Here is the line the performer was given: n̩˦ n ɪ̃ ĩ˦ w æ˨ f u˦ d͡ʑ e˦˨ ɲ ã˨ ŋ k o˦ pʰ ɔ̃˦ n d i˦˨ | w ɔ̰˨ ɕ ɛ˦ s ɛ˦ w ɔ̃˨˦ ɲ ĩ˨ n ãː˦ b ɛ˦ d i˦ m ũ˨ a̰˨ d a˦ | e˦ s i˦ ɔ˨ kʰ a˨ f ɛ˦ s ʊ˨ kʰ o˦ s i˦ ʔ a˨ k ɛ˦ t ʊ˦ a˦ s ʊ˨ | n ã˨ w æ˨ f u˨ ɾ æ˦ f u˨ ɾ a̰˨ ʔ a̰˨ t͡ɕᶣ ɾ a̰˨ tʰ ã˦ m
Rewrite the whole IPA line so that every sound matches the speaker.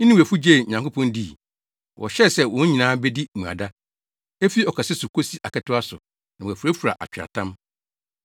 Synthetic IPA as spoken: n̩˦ n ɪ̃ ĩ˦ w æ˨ f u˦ d͡ʑ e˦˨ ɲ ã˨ ŋ k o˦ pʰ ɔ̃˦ n d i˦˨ | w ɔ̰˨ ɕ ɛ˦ s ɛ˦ w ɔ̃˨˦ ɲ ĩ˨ n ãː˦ b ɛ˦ d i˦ m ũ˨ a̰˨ d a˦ | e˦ f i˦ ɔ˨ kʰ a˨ s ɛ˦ s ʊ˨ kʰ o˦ s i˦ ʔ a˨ k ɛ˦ t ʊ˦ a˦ s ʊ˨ | n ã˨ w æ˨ f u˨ ɾ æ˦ f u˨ ɾ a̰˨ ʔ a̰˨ t͡ɕᶣ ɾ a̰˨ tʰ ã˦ m